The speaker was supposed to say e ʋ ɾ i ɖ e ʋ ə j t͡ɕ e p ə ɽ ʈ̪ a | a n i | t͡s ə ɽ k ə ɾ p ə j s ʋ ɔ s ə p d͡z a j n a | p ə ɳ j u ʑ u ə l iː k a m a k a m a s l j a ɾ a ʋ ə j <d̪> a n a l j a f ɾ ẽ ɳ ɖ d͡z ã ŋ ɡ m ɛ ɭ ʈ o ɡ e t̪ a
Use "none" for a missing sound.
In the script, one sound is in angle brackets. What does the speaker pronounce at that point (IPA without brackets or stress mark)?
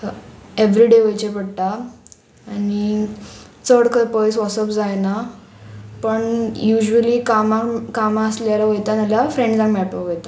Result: t̪